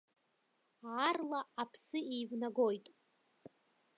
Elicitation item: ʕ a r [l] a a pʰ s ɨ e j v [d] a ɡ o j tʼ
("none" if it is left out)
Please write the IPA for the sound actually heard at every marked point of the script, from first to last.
l, n

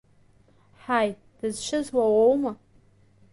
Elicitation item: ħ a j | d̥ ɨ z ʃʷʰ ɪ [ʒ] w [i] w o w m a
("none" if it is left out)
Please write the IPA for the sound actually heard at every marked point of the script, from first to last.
z, a

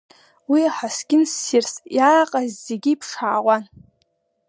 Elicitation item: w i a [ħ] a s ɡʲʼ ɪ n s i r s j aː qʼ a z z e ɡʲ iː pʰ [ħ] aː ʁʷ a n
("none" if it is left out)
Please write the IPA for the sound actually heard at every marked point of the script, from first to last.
ħ, ʂ

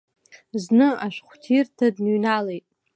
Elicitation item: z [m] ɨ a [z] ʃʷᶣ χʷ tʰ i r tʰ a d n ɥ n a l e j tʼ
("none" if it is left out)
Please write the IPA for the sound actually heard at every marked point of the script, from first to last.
n, none

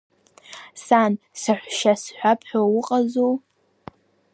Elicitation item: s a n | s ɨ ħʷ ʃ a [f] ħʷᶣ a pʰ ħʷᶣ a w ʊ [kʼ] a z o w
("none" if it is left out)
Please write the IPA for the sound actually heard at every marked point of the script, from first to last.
s, qʼ

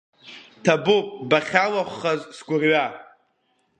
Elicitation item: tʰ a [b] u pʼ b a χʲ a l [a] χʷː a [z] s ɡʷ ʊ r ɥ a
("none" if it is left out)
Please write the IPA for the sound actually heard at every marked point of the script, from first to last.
b, a, z

